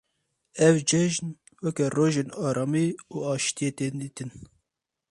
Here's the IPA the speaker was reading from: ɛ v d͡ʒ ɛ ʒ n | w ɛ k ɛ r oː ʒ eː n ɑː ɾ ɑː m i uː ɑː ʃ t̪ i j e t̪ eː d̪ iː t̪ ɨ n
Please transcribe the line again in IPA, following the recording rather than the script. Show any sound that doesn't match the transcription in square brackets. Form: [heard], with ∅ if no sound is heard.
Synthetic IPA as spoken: ɛ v d͡ʒ ɛ ʒ n | w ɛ k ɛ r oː ʒ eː n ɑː ɾ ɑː m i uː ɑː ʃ t̪ i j e t̪ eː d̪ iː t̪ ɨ n